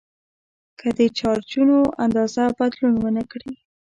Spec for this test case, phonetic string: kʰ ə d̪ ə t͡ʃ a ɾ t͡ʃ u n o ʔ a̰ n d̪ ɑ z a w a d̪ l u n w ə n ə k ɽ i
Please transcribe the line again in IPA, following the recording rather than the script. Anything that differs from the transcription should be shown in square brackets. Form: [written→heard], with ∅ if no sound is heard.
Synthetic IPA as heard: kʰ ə d̪ ə t͡ʃ [a→ɑ] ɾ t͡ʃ u n o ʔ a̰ n d̪ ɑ z a [w→b] a d̪ l u n w ə n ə k ɽ i